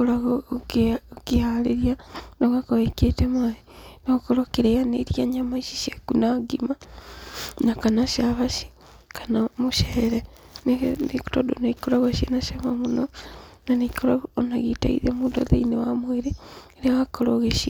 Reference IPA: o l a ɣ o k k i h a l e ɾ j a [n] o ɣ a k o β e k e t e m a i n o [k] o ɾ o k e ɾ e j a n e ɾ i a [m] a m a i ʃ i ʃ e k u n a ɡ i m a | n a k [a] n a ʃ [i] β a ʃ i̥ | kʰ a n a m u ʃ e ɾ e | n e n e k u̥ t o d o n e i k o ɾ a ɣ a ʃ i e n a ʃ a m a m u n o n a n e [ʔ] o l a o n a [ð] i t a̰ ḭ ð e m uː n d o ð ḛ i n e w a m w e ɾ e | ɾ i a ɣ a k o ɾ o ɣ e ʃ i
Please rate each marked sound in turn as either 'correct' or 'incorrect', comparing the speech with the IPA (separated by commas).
correct, correct, incorrect, correct, incorrect, incorrect, incorrect